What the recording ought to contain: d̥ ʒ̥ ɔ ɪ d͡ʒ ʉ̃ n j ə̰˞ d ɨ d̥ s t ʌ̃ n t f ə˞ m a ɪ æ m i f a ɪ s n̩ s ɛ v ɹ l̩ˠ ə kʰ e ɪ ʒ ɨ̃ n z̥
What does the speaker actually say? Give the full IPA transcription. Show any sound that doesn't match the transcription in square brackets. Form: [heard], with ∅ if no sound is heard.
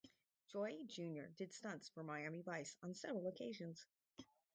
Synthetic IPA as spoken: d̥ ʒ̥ ɔ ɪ d͡ʒ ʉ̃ n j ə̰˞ d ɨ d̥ s t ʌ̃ n [s] f ə˞ m a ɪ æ m i [v] a ɪ s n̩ s ɛ v ɹ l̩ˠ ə kʰ e ɪ ʒ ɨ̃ n z̥

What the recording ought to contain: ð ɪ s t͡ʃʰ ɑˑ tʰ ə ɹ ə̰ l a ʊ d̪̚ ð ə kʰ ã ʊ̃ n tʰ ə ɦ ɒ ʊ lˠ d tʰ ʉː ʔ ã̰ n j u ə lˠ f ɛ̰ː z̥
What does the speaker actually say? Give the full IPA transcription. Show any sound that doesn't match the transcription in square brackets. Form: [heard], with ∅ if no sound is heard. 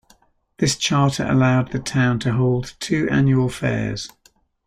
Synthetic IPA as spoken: ð ɪ s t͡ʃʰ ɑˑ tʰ ə ɹ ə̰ l a ʊ d̪̚ ð ə [tʰ] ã ʊ̃ n tʰ ə ɦ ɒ ʊ lˠ d tʰ ʉː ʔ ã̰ n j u ə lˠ f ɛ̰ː z̥

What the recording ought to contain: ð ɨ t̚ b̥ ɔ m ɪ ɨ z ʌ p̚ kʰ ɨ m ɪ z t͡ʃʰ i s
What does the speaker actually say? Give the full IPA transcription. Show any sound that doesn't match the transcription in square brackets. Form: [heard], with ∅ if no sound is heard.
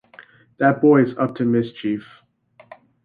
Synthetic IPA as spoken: ð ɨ t̚ b̥ ɔ [∅] ɪ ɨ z ʌ p̚ [tʰ] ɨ m ɪ [s] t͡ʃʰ i [f]

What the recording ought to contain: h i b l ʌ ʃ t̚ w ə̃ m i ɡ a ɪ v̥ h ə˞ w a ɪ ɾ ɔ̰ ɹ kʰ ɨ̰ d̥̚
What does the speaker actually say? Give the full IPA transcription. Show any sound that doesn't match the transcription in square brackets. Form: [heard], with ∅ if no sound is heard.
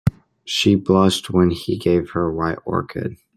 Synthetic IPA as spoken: [ʃ] i b l ʌ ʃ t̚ w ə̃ [n] i ɡ [e] ɪ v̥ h ə˞ w a ɪ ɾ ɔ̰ ɹ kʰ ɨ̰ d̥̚

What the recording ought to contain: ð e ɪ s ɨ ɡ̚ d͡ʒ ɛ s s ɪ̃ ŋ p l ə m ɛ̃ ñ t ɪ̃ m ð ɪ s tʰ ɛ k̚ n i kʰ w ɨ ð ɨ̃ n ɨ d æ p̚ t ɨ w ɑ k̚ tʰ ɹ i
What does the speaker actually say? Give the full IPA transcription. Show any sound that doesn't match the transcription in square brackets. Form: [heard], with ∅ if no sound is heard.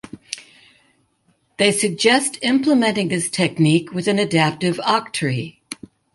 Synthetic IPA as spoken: ð e ɪ s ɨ ɡ̚ d͡ʒ ɛ s [t] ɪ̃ [m] p l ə m ɛ̃ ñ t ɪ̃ [ŋ] ð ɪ s tʰ ɛ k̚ n i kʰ w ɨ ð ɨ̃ n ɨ d æ p̚ t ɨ [v] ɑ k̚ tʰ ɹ i

